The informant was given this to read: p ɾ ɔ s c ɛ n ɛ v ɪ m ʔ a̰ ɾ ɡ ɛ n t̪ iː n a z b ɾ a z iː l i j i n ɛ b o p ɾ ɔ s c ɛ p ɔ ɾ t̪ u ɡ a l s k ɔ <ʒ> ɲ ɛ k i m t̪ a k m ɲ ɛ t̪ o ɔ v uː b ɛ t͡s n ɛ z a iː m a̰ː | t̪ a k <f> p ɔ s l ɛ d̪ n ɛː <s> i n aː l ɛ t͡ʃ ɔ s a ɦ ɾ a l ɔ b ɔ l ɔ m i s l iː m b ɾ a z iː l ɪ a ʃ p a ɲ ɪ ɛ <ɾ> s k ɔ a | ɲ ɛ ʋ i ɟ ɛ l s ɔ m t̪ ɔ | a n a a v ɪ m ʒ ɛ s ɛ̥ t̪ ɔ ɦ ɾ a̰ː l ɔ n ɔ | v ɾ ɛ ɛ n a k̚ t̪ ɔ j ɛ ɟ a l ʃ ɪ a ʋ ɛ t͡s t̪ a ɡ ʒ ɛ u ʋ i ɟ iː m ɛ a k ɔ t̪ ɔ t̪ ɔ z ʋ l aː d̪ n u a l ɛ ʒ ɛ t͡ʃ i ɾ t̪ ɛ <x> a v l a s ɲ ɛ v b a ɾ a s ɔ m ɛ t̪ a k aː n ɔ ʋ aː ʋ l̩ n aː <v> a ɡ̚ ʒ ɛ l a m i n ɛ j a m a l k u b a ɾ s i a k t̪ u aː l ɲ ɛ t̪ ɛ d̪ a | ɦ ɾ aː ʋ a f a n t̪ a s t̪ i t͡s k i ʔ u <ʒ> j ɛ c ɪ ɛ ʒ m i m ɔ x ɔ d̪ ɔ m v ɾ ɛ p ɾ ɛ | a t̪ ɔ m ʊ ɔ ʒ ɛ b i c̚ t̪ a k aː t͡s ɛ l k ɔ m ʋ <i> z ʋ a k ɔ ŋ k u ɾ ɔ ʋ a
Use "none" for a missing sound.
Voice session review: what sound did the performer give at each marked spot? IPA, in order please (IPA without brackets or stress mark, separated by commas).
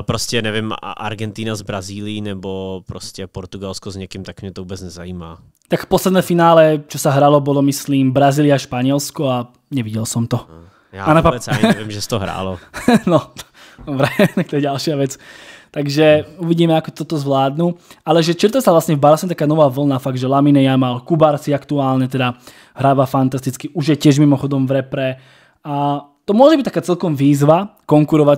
z, f, f, l, s, f, ʒ, iː